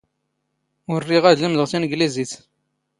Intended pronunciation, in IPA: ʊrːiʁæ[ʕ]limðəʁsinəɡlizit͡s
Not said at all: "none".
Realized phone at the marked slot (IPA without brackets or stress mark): ð